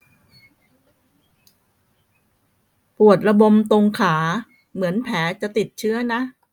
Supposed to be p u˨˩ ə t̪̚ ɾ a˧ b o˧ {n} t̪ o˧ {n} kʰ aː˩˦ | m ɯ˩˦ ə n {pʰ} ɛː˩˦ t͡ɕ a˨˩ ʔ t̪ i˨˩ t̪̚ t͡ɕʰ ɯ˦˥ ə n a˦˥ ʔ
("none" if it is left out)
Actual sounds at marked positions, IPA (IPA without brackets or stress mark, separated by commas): m, ŋ, pʰ